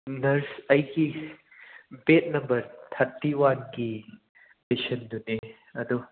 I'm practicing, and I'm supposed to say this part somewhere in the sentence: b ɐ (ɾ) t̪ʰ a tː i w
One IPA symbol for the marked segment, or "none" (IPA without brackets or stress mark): ɾ